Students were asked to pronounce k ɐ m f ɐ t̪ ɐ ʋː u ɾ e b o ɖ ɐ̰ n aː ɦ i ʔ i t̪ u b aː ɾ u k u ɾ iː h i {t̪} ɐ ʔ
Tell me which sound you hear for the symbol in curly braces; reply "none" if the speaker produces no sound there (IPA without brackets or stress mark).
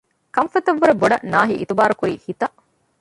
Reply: t̪